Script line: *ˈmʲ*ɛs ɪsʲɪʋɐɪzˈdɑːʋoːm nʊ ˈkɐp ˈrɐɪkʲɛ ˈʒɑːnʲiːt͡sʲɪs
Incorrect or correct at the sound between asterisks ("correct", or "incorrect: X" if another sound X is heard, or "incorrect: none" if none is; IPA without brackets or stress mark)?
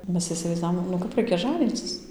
correct